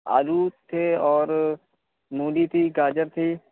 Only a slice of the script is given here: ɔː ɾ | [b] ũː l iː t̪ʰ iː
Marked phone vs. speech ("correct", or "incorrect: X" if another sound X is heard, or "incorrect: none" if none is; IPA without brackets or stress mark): incorrect: m